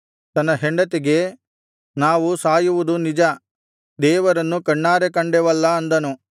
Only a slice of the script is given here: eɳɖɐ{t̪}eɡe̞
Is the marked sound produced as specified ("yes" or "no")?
yes